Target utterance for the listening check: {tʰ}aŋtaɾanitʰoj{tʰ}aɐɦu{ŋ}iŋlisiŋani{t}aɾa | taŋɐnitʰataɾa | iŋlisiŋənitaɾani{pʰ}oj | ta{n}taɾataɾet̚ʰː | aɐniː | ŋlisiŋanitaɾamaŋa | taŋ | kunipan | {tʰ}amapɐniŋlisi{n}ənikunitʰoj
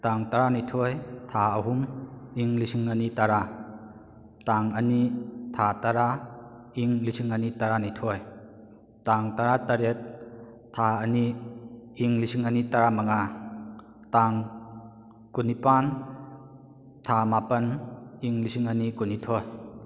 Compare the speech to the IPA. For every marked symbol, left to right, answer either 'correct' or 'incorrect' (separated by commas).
incorrect, correct, incorrect, correct, incorrect, incorrect, correct, incorrect